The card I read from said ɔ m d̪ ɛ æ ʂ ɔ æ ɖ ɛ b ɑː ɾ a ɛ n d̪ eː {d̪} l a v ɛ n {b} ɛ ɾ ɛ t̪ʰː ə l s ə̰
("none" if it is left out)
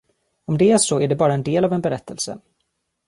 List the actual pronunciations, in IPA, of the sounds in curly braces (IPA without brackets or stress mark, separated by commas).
none, b